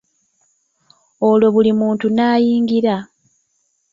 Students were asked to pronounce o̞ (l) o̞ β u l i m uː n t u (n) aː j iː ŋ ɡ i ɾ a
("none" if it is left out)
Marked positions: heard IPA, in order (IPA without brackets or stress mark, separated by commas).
l, n